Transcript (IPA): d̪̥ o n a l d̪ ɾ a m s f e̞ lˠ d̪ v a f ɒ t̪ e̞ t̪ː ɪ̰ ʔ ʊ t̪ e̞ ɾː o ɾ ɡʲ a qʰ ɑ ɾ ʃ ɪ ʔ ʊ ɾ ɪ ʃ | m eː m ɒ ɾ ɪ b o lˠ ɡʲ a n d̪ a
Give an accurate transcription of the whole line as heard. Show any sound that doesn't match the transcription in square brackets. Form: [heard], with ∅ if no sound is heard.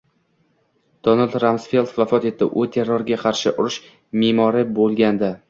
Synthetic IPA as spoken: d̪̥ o n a l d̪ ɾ a m s f e̞ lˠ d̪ v a f ɒ t̪ e̞ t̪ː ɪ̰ ʔ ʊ [t̪ʰ] e̞ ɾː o ɾ ɡʲ a qʰ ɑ ɾ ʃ ɪ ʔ ʊ ɾ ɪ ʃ | m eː m ɒ ɾ ɪ b o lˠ ɡʲ a n d̪ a